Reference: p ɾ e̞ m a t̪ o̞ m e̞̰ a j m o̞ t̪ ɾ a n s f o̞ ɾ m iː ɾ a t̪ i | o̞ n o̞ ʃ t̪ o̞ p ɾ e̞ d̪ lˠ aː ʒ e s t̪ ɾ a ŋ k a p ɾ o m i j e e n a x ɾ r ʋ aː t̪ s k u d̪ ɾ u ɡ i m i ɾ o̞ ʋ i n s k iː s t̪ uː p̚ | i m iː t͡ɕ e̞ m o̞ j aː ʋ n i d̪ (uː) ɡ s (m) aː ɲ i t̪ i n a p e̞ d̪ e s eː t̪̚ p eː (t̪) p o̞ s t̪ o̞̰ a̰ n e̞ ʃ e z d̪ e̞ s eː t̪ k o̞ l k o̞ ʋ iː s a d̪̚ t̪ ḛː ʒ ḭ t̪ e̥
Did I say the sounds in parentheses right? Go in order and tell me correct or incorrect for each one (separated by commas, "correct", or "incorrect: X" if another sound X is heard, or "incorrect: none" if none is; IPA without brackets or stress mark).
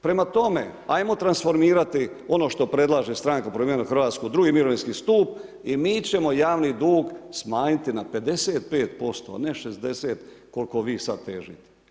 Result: correct, correct, correct